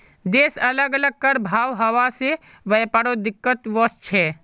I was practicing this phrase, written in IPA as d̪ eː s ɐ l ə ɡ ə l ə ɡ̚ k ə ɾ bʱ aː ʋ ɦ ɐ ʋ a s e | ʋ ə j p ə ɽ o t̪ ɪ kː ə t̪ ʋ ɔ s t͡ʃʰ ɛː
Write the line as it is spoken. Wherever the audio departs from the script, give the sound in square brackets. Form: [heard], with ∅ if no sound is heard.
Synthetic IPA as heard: d̪ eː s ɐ l ə ɡ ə l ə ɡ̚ k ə ɾ bʱ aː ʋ ɦ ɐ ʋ a s e | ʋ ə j p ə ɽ o [d̪] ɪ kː ə t̪ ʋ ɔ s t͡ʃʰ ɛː

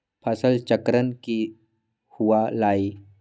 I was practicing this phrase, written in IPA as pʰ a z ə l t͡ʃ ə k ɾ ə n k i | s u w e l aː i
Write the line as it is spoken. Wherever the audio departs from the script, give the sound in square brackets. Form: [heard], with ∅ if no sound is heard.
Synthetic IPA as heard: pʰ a [s] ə l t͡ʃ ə k ɾ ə n k i | [h] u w [a] l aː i

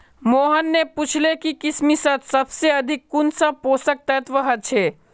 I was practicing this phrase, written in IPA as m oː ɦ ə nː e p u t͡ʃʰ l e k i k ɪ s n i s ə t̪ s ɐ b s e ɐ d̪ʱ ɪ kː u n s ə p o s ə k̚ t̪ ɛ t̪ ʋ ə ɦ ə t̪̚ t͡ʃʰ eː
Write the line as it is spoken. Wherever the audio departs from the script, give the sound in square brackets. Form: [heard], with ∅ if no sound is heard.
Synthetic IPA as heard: m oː ɦ ə nː e p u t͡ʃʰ l e k i k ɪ s [m] i s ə t̪ s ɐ b s e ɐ d̪ʱ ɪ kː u n s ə p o s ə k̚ t̪ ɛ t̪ ʋ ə ɦ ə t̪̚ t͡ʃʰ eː

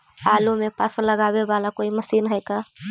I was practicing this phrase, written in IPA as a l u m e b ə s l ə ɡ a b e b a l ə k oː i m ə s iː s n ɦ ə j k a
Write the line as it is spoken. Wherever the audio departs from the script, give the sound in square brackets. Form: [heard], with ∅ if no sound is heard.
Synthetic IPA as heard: a l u m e [p] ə s l ə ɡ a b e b a l [a] k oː i m ə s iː [∅] n ɦ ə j k a

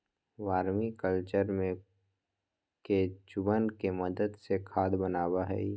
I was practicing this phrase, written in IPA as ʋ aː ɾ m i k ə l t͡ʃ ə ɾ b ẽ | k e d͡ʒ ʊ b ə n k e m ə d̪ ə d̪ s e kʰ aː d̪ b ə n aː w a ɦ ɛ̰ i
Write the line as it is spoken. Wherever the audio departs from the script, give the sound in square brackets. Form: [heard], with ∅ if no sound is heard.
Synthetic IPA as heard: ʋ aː ɾ m i k ə l t͡ʃ ə ɾ [m] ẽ | k e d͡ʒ ʊ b ə n k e m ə d̪ ə d̪ s e kʰ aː d̪ b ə n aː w a ɦ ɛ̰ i

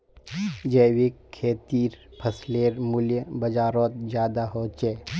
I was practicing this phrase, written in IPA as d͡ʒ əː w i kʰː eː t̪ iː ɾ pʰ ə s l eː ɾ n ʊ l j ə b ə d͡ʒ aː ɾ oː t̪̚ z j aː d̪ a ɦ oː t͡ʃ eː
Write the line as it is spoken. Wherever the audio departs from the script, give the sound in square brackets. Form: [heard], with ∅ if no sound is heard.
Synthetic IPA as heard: d͡ʒ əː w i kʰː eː t̪ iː ɾ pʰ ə s l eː ɾ [m] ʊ l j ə b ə d͡ʒ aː ɾ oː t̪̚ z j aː d̪ a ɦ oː t͡ʃ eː

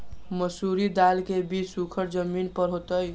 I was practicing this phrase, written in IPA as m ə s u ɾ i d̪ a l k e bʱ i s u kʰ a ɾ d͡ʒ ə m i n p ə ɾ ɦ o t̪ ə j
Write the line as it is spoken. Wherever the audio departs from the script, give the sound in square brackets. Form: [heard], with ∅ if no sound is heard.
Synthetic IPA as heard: m ə s u ɾ i d̪ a l k e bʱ i s u kʰ [ə] ɾ d͡ʒ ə m i n p ə ɾ ɦ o t̪ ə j

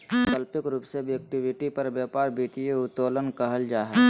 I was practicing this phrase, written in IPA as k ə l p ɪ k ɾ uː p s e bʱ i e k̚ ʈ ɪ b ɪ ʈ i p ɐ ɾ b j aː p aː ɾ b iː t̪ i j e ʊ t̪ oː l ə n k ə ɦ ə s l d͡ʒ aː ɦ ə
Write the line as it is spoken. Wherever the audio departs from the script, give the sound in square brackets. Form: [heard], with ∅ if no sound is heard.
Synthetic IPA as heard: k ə l p ɪ k ɾ uː p s e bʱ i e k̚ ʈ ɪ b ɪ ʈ i p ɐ ɾ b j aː p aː ɾ b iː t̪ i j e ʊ t̪ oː l ə n k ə ɦ ə [∅] l d͡ʒ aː ɦ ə

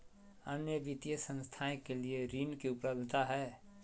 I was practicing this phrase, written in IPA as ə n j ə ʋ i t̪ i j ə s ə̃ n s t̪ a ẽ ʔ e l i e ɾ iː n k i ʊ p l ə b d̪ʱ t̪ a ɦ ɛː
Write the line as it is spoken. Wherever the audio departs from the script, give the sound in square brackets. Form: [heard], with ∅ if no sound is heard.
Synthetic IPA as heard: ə n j ə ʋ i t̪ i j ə s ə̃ n s [t̪ʰ] a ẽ [k] e l i e ɾ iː n k i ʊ p l ə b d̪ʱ t̪ a ɦ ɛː

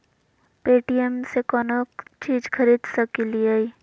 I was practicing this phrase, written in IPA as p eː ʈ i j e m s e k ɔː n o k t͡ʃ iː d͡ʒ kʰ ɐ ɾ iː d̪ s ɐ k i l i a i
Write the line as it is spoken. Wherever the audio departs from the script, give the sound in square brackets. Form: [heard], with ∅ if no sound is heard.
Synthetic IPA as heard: p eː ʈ i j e m s e k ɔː n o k t͡ʃ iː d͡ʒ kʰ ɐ ɾ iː d̪ s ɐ k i l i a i

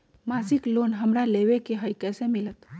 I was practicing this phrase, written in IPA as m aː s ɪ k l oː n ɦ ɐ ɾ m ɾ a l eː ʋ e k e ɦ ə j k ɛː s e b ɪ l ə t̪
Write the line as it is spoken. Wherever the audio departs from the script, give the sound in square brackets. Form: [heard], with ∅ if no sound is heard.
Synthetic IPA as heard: m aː s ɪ k l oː n ɦ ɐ [∅] m ɾ a l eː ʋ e k e ɦ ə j k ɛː s e [m] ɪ l ə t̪

